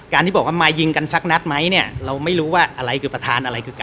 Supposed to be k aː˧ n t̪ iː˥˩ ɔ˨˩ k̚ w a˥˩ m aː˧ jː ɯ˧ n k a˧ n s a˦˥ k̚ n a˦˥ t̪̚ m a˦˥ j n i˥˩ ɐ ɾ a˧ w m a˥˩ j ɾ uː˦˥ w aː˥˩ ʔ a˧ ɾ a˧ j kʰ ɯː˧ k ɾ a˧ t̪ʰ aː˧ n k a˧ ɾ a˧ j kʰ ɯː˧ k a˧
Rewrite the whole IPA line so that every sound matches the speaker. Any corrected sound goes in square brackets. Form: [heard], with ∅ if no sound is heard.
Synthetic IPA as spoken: k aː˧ n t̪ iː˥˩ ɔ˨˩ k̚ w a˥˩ m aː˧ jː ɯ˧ [ŋ] k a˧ n s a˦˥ k̚ n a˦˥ t̪̚ m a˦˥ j n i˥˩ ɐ ɾ a˧ w m a˥˩ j ɾ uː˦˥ w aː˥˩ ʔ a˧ ɾ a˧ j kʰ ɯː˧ [p] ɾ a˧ t̪ʰ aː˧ n [ʔ] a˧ ɾ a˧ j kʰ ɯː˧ k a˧

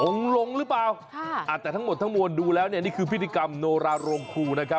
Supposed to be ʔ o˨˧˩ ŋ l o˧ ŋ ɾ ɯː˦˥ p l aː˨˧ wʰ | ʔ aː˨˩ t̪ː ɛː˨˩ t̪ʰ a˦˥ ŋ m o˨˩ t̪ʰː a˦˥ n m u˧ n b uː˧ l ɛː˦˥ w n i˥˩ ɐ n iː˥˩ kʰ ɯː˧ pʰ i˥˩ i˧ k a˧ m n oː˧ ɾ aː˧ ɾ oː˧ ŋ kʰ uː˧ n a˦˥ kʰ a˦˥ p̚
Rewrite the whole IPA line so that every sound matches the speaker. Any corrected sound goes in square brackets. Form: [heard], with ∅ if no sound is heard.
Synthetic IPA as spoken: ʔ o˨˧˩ ŋ l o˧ ŋ ɾ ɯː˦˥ p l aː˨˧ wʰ | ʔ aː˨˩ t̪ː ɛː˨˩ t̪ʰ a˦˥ ŋ m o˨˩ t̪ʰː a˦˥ [ŋ] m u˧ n [d] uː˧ l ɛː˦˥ w n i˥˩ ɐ n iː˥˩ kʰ ɯː˧ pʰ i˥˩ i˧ k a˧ m n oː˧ ɾ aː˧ ɾ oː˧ ŋ kʰ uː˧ n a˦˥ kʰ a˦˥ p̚

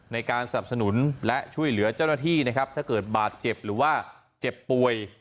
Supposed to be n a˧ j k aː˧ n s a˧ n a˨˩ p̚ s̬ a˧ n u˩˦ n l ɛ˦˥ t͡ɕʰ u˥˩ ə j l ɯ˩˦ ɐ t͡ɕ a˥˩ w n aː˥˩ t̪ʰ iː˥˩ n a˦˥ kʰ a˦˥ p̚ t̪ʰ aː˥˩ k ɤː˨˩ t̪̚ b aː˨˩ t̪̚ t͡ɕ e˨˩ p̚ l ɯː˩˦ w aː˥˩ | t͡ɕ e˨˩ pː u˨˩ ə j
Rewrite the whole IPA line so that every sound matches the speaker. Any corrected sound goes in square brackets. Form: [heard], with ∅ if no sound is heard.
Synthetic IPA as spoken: n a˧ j k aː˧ n s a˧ n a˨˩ p̚ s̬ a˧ n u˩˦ n l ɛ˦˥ t͡ɕʰ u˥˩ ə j l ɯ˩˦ ɐ t͡ɕ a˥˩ w n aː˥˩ t̪ʰ iː˥˩ n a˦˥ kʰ a˦˥ p̚ t̪ʰ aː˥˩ k ɤː˨˩ t̪̚ b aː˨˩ t̪̚ t͡ɕ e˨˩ p̚ [ɾ] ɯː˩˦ w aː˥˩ | t͡ɕ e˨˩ pː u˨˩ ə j

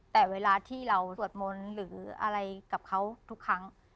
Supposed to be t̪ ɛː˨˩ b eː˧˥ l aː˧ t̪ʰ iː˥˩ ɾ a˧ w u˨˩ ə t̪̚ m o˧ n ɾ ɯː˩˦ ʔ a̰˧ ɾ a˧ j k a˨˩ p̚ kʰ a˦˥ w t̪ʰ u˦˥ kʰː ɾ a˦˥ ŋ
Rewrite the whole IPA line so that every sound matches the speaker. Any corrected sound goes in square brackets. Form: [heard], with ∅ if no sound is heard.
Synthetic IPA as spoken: t̪ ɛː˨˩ [w] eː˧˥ l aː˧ t̪ʰ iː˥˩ ɾ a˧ w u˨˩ ə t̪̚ m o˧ n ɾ ɯː˩˦ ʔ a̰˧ ɾ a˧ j k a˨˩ p̚ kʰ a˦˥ w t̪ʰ u˦˥ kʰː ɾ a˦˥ ŋ

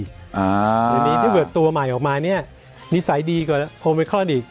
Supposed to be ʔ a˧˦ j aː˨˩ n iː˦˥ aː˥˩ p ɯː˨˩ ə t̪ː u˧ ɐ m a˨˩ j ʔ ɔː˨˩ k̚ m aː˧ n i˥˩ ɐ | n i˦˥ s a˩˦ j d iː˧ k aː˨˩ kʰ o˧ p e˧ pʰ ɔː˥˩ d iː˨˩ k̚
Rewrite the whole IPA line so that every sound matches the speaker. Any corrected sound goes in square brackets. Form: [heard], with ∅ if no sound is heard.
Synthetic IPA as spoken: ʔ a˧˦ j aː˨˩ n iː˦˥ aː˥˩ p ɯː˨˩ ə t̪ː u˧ ɐ m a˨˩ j ʔ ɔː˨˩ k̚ m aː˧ n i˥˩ ɐ | n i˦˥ s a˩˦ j d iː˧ k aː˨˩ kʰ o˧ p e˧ [kʰ] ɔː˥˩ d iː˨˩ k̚

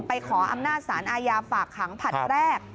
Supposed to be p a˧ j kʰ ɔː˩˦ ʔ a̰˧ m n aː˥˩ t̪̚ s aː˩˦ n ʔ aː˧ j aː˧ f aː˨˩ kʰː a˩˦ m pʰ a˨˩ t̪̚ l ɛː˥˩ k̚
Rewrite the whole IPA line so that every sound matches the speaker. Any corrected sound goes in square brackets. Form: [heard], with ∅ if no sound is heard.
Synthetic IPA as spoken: p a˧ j kʰ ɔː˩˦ ʔ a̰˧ m n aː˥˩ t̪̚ s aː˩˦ n ʔ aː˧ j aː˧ f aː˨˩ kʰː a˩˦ [ŋ] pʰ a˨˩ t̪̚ [ɾ] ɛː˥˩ k̚

